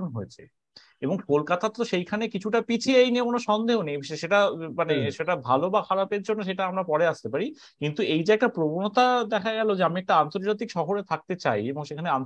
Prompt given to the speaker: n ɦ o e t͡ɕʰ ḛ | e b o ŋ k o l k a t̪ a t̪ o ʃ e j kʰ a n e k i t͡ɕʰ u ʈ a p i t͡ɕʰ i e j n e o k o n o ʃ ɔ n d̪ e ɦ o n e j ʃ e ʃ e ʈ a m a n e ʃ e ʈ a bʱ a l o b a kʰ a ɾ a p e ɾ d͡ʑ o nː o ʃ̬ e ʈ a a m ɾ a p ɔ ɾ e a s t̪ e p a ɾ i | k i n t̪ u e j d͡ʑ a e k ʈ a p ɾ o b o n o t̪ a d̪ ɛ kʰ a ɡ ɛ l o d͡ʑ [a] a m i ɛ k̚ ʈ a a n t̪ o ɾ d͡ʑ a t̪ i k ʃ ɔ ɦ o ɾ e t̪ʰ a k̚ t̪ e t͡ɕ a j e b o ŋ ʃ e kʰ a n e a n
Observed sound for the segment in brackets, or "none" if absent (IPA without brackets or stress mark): e